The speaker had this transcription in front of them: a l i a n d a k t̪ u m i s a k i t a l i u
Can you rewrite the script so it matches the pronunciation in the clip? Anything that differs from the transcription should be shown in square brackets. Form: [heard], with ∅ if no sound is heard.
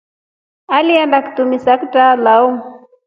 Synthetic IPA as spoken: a l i a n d a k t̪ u m i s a k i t a l [a] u